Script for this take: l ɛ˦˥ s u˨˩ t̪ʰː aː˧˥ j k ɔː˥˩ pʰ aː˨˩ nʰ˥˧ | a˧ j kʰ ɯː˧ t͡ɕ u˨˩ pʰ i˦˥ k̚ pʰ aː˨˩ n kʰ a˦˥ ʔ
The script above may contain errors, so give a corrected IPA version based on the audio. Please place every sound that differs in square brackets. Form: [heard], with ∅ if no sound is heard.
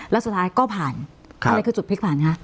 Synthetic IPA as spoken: l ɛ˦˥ s u˨˩ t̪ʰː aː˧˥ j k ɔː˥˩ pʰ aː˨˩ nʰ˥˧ | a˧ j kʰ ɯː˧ t͡ɕ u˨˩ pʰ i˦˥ k̚ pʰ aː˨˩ n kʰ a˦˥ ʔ